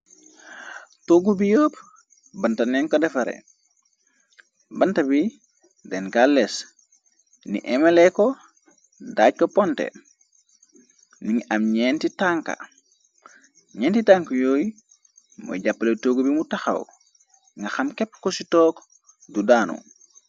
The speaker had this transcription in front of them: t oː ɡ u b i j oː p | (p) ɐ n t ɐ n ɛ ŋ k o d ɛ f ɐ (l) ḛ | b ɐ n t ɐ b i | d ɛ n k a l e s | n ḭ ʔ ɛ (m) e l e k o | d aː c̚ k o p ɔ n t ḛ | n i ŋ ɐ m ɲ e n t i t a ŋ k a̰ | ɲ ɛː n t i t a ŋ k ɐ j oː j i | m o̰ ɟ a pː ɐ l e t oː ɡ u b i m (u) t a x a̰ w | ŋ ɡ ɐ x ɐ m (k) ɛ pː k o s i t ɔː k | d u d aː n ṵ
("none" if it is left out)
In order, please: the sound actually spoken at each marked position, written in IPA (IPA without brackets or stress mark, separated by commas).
b, ɾ, m, u, k